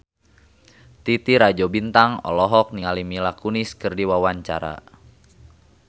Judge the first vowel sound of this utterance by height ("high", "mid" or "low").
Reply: high